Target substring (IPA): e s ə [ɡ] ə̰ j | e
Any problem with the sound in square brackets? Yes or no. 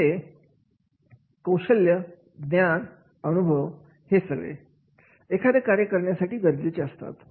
no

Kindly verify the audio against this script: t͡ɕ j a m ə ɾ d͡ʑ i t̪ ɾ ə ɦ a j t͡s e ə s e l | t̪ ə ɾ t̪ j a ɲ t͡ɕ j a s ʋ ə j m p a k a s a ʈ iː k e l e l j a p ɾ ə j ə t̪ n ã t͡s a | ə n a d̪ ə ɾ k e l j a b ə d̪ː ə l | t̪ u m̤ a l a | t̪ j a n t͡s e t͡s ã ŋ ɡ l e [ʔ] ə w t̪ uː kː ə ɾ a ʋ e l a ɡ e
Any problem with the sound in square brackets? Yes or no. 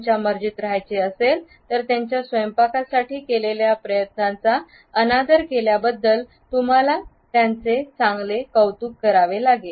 yes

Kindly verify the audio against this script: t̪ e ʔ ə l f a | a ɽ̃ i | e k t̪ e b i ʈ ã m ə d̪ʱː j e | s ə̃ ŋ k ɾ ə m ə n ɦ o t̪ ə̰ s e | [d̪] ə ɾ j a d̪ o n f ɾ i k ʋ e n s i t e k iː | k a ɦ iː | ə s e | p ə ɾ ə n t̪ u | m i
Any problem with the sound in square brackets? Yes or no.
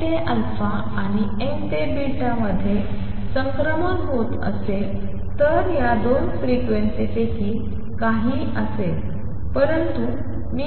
yes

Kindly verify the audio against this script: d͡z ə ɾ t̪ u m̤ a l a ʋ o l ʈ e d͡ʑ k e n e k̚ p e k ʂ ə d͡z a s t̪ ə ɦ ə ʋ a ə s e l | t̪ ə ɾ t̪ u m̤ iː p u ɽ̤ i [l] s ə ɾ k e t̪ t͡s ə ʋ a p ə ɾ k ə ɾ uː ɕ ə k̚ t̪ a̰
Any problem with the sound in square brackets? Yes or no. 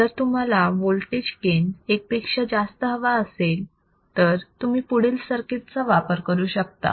no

